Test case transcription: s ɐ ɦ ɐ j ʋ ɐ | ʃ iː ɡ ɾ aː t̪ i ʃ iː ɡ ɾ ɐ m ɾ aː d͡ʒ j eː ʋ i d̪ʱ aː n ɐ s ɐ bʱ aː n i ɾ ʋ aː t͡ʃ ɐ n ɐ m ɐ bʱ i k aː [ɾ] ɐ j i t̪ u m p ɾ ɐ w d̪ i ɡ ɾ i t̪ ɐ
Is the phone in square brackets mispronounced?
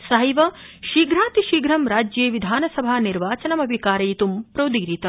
no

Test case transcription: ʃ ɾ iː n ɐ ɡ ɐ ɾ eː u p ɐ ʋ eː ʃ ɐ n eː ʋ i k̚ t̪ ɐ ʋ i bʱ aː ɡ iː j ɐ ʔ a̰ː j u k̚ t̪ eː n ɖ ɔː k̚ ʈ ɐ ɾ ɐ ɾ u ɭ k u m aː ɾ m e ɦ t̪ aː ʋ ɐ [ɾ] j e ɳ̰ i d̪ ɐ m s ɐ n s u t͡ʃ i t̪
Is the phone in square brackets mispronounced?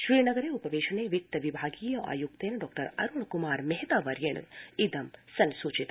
no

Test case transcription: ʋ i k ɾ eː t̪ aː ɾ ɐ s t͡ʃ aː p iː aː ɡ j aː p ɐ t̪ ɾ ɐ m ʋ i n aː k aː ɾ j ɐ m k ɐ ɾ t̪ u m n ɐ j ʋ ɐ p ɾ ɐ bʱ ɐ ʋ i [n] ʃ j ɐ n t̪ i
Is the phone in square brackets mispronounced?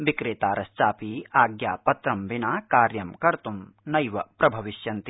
yes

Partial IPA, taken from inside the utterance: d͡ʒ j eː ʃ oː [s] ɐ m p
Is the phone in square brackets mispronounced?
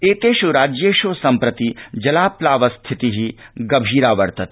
no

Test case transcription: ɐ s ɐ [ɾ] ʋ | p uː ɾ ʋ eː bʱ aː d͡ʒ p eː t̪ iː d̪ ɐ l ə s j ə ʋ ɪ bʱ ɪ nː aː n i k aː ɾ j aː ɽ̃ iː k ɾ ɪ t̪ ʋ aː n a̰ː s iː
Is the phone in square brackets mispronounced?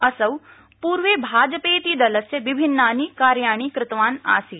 yes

